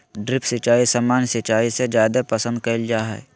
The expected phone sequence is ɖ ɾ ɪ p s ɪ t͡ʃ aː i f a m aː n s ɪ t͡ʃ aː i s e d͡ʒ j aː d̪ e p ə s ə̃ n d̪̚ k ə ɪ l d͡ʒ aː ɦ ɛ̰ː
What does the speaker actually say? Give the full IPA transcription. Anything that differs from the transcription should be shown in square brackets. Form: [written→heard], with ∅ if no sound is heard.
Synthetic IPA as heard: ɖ ɾ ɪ p s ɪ t͡ʃ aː i [f→s] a m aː n s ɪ t͡ʃ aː i s e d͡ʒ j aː d̪ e p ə s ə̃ n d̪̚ k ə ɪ l d͡ʒ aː ɦ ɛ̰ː

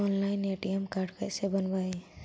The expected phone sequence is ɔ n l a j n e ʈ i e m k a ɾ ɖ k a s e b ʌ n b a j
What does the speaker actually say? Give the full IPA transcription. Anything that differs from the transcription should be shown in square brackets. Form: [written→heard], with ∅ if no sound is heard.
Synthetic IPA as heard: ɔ n l a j n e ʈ i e m k a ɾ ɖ k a s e b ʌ n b a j

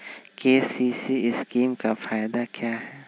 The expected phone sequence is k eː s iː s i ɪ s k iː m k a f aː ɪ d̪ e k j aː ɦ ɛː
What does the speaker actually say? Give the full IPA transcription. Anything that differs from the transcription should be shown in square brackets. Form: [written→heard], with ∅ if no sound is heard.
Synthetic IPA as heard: k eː s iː s i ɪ s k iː m k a f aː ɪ d̪ [e→a] k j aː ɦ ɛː

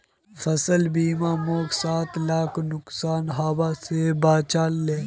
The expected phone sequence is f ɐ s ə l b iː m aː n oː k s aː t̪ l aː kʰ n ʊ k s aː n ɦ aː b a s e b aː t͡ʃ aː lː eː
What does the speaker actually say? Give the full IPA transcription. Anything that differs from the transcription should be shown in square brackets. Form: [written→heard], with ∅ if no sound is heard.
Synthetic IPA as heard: f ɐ s ə l b iː m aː [n→m] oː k s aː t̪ l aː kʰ n ʊ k s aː n ɦ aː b a s e b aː t͡ʃ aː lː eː

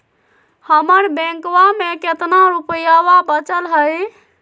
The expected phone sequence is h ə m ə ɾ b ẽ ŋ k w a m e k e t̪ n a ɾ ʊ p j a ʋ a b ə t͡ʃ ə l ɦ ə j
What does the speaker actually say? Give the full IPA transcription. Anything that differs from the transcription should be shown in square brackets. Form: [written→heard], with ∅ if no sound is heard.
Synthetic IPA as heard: h ə m ə ɾ b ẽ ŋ k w a m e k e t̪ n a ɾ [ʊ→u] p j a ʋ a b ə t͡ʃ ə l ɦ ə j

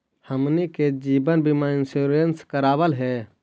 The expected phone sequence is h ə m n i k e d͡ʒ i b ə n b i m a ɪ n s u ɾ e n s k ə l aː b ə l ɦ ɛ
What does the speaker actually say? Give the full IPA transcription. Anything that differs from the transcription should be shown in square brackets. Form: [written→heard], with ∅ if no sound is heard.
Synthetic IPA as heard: h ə m n i k e d͡ʒ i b ə n b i m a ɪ n s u ɾ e n s k ə [l→ɾ] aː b ə l ɦ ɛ

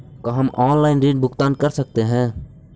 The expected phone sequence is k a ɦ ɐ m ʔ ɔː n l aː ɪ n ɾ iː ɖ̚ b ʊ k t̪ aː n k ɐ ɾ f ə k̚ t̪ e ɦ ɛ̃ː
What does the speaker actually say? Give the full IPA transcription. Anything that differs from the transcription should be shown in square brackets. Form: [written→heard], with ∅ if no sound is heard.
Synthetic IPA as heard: k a ɦ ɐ m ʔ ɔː n l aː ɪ n ɾ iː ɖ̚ b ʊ k t̪ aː n k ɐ ɾ [f→s] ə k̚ t̪ e ɦ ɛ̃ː

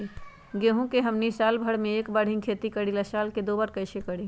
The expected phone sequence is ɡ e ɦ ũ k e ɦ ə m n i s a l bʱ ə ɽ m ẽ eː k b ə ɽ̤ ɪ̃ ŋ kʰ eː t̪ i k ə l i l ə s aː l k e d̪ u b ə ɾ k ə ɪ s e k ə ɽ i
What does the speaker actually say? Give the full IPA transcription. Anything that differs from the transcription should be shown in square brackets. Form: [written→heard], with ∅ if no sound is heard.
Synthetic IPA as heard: ɡ e ɦ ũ k e ɦ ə m n i s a l bʱ ə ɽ m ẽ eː k b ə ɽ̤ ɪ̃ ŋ kʰ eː t̪ i k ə [l→ɽ] i l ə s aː l k e d̪ [u→o] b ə ɾ k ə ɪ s e k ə ɽ i

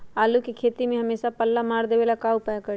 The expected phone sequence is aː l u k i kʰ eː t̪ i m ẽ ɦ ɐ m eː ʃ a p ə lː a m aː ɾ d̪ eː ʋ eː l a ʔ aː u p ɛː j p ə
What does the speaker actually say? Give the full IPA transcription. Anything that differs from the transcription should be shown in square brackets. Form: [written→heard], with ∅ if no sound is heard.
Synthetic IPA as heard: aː l u k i kʰ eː t̪ i m ẽ ɦ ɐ m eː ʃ a p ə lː a m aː ɾ d̪ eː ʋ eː l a [ʔ→k] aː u p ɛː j [p→k] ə

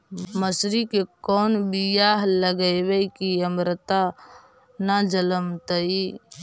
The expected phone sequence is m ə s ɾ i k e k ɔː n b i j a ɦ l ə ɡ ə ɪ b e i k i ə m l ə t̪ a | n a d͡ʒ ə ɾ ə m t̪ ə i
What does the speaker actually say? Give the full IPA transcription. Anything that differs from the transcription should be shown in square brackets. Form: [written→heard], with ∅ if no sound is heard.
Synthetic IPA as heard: m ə s ɾ i k e k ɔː n b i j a ɦ l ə ɡ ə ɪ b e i k i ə m [l→ɾ] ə t̪ a | n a d͡ʒ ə [ɾ→l] ə m t̪ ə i

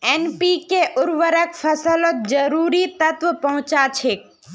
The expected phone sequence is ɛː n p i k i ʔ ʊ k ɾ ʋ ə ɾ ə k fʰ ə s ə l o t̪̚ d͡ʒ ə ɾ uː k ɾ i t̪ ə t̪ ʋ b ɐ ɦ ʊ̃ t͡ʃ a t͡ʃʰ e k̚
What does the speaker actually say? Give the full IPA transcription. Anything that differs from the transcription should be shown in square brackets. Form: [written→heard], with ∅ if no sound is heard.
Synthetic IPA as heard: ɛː n p i k [i→e] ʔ ʊ [k→∅] ɾ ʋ ə ɾ ə k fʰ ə s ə l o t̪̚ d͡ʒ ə ɾ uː [k→∅] ɾ i t̪ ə t̪ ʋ [b→p] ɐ ɦ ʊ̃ t͡ʃ a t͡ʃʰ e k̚

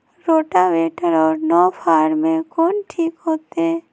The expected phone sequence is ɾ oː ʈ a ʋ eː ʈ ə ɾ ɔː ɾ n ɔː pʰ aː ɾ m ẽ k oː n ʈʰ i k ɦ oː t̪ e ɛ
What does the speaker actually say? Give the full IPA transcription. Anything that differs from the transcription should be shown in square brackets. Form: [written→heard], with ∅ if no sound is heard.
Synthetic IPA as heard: ɾ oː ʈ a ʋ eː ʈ ə ɾ ɔː ɾ n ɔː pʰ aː ɾ m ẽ k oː n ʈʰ [i→iː] k ɦ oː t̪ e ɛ

